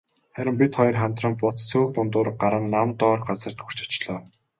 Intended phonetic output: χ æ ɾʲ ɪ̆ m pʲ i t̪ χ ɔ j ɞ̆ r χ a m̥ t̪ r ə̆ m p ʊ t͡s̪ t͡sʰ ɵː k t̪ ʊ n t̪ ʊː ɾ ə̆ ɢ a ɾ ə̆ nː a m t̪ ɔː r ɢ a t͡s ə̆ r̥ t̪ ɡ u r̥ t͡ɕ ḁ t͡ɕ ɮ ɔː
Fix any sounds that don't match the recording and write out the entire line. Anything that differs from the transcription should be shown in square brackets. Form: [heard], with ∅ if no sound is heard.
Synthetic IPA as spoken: χ æ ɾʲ ɪ̆ m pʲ i t̪ χ ɔ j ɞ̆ r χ a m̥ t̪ r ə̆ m p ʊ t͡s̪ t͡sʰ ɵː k t̪ ʊ n t̪ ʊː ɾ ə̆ ɢ a ɾ ə̆ nː a m t̪ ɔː r ɢ a t͡s ə̆ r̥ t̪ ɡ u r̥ t͡ɕ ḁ t͡ɕ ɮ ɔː